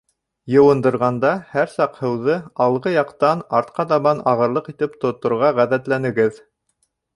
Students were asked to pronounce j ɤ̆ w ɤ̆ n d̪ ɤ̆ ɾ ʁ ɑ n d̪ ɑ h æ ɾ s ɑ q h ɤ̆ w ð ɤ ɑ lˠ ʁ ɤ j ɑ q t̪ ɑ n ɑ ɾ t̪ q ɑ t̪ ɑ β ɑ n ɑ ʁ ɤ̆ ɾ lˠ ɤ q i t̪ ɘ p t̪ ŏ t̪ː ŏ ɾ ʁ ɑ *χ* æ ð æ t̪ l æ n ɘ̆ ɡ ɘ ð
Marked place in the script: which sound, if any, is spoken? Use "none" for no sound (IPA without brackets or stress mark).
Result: ʁ